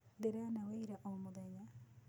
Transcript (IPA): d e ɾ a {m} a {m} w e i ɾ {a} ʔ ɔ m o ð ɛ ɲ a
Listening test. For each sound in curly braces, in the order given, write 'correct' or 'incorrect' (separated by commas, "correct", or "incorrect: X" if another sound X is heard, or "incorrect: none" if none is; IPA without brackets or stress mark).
incorrect: n, incorrect: none, correct